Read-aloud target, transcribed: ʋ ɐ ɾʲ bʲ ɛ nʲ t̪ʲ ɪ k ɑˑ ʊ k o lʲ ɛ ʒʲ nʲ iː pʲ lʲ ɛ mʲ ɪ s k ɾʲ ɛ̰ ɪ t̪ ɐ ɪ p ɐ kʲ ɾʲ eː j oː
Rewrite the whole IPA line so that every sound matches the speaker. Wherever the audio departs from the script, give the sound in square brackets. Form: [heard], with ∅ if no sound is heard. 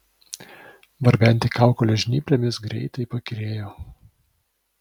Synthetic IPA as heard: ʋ ɐ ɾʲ bʲ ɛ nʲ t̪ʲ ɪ k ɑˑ ʊ k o lʲ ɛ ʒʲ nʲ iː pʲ lʲ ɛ mʲ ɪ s [ɡ] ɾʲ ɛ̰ ɪ t̪ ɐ ɪ p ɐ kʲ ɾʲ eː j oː